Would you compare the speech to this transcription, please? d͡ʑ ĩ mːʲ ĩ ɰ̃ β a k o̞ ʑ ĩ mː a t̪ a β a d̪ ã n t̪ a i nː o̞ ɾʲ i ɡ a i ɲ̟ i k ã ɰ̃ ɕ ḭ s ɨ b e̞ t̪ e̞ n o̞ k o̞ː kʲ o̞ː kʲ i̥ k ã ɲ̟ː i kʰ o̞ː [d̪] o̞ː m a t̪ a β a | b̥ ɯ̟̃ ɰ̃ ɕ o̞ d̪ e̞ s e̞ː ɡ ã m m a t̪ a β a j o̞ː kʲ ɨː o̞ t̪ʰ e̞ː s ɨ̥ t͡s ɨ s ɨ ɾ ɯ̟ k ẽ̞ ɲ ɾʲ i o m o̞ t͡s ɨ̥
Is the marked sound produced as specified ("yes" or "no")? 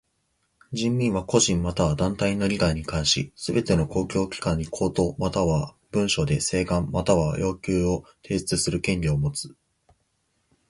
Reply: no